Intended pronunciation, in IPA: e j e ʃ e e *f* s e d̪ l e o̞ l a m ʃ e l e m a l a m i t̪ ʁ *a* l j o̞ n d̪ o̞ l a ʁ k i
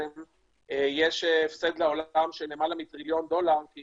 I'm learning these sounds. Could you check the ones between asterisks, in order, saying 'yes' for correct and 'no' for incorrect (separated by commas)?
yes, no